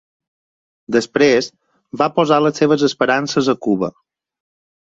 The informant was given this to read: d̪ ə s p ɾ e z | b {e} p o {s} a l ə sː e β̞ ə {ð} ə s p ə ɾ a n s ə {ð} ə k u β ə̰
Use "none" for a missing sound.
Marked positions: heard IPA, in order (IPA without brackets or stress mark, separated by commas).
a, z, z, z